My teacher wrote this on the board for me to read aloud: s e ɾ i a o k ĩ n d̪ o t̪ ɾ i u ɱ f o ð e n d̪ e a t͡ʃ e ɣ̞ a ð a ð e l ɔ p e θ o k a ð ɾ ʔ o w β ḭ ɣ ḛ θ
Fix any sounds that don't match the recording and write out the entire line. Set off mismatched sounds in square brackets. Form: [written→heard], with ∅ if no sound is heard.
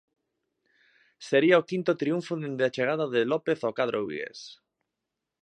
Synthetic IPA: s e ɾ i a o k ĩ n [d̪→t̪] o t̪ ɾ i u ɱ f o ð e n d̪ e a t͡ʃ e ɣ̞ a ð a ð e l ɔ p e θ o k a ð ɾ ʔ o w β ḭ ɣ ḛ [θ→s]

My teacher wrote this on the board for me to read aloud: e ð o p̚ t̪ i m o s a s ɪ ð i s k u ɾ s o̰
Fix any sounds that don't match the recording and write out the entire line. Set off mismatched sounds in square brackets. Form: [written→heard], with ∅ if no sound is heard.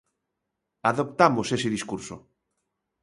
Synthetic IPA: [e→a] ð o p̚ t̪ [i→a] m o s [a→e] s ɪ ð i s k u ɾ s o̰

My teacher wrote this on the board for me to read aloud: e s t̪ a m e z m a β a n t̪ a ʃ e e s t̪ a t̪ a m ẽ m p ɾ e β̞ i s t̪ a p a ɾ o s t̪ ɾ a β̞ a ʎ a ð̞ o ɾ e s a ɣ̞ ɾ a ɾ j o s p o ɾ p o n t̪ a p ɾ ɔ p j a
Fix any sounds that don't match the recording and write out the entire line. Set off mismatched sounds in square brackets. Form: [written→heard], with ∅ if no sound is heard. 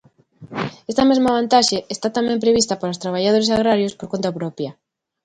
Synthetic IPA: e s t̪ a m e z m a β a n t̪ a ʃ e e s t̪ a t̪ a m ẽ m p ɾ e β̞ i s t̪ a p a ɾ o s t̪ ɾ a β̞ a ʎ a ð̞ o ɾ e s a ɣ̞ ɾ a ɾ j o s p o ɾ [p→k] o n t̪ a p ɾ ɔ p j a

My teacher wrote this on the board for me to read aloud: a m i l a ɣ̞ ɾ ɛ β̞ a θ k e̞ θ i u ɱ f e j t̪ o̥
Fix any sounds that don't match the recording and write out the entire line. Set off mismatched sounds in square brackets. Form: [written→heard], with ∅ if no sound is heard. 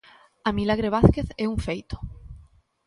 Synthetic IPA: a m i l a ɣ̞ ɾ [ɛ→e] β̞ a θ k e̞ θ [i→e] u ɱ f e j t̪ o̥

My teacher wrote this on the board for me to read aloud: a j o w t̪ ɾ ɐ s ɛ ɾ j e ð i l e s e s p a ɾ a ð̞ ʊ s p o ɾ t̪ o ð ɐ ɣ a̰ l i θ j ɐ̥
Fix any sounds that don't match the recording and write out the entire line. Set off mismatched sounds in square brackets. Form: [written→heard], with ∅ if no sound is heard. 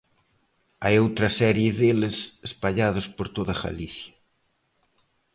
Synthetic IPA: a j o w t̪ ɾ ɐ s ɛ ɾ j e ð [i→e] l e s e s p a [ɾ→ʎ] a ð̞ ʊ s p o ɾ t̪ o ð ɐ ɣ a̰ l i θ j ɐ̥

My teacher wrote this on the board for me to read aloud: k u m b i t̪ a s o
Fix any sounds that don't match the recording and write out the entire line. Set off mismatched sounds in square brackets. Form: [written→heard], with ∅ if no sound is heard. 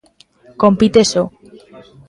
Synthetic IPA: k [u→o] m [b→p] i t̪ [a→e] s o

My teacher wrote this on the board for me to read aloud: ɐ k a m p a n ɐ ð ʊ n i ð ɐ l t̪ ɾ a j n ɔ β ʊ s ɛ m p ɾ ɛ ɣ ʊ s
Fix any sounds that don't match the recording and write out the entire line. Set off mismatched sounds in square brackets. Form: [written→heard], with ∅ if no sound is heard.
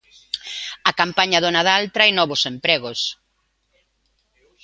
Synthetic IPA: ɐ k a m p a [n→ɲ] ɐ ð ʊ n [i→a] ð [ɐ→a] l t̪ ɾ a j n ɔ β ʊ s [ɛ→e] m p ɾ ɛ ɣ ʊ s

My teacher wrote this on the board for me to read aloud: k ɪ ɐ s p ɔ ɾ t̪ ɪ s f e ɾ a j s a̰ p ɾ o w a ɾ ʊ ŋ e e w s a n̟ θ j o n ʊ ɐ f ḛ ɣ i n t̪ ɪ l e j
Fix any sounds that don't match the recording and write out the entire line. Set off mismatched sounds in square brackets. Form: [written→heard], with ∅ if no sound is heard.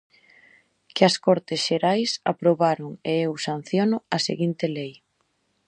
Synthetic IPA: k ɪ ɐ s [p→k] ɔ ɾ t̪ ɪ s [f→ʃ] e ɾ a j s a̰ p ɾ o [w→β] a ɾ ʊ ŋ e e w s a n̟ θ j o n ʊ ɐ [f→s] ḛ ɣ i n t̪ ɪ l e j

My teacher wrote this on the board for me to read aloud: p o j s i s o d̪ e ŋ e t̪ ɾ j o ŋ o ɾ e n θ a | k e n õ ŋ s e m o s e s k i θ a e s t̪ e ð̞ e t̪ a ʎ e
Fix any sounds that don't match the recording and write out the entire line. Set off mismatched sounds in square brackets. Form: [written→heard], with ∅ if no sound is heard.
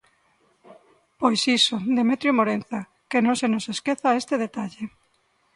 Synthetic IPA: p o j s i s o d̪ e [ŋ→m] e t̪ ɾ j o [ŋ→m] o ɾ e n θ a | k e n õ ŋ s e [m→n] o s e s k [i→e] θ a e s t̪ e ð̞ e t̪ a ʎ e

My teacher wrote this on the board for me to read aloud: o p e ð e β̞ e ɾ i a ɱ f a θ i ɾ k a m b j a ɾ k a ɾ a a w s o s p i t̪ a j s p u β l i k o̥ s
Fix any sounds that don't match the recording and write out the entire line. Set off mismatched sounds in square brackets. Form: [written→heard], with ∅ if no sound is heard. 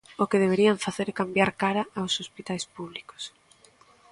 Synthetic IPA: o [p→k] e ð e β̞ e ɾ i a ɱ f a θ [i→e] ɾ k a m b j a ɾ k a ɾ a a w s o s p i t̪ a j s p u β l i k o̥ s

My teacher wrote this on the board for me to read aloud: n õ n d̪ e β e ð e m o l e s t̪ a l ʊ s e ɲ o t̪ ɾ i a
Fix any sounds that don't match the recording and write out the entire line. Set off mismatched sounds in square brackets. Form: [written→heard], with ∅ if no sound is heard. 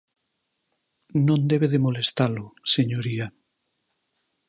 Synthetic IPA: n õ n d̪ e β e ð e m o l e s t̪ a l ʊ s e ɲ o [t̪→∅] ɾ i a

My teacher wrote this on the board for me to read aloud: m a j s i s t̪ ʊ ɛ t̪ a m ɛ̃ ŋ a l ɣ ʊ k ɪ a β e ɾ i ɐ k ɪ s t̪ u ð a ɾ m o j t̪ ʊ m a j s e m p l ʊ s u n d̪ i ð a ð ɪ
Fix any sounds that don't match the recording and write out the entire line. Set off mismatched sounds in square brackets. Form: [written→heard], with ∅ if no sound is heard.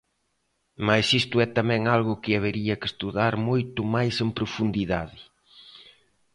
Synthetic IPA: m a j s i s t̪ ʊ ɛ t̪ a m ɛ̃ ŋ a l ɣ ʊ k ɪ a β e ɾ i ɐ k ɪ s t̪ u ð a ɾ m o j t̪ ʊ m a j s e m p [l→ɾ] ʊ [s→f] u n d̪ i ð a ð ɪ

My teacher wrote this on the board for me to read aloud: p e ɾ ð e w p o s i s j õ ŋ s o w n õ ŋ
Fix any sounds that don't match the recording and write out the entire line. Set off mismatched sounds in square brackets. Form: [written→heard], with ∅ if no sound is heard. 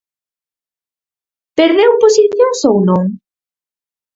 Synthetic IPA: p e ɾ ð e w p o s i [s→θ] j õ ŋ s o w n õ ŋ

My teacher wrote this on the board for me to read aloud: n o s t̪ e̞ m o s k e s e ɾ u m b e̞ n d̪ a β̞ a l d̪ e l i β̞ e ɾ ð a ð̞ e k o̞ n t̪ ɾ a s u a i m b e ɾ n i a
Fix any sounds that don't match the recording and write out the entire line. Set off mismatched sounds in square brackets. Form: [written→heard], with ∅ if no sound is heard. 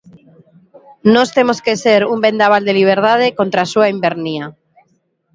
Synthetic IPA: n o s t̪ e̞ m o s k e s e ɾ u m b e̞ n d̪ a β̞ a l d̪ e l i β̞ e ɾ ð a ð̞ e k o̞ n t̪ ɾ a s u a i m b e ɾ n i a

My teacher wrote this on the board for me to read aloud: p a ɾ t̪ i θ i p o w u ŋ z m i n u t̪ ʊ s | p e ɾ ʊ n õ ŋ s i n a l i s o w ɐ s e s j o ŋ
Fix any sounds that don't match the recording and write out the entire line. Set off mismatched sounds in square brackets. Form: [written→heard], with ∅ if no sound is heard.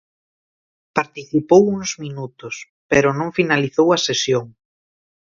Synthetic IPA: p a ɾ t̪ i θ i p o w u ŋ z m i n u t̪ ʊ s | p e ɾ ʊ n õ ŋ [s→f] i n a l i [s→θ] o w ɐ s e s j o ŋ

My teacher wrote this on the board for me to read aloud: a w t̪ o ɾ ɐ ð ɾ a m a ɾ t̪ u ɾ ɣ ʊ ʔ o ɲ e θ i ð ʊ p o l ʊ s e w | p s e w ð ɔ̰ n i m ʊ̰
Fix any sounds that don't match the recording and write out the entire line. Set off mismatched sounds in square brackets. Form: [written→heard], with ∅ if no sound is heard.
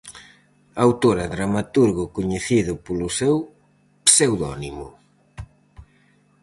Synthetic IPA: a w t̪ o ɾ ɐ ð ɾ a m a [ɾ→∅] t̪ u ɾ ɣ ʊ [ʔ→k] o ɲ e θ i ð ʊ p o l ʊ s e w | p s e w ð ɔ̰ n i m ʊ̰

